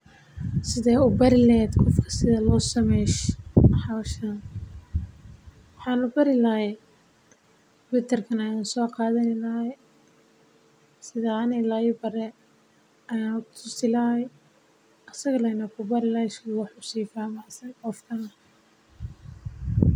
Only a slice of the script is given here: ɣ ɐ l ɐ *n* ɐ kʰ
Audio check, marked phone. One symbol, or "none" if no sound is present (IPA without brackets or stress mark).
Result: n